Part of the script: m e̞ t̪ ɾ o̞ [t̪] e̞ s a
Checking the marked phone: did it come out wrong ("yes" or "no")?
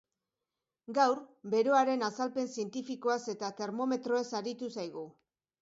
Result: yes